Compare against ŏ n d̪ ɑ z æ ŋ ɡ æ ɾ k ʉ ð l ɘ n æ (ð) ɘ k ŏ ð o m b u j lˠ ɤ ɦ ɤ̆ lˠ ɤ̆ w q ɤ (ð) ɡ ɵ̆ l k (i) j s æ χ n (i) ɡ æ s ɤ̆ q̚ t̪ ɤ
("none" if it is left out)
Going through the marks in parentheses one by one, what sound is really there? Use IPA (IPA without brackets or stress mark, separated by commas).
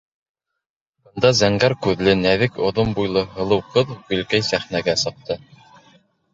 ð, ð, æ, æ